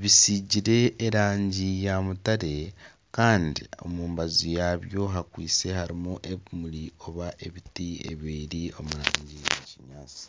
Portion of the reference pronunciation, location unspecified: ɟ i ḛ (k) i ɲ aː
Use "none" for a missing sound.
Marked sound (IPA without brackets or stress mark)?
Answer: c